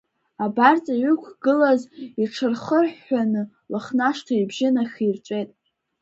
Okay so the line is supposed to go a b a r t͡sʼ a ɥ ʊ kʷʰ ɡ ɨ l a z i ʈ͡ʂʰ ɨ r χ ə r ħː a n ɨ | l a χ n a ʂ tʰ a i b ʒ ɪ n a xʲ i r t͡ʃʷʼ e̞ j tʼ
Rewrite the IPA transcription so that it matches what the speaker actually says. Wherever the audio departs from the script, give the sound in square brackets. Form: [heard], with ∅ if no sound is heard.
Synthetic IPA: a b a r t͡sʼ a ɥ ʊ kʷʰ ɡ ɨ l a z i ʈ͡ʂʰ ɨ r χ ə r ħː a n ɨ | l a χ n a ʂ tʰ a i b ʒ ɪ n a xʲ i r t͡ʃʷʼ e̞ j tʼ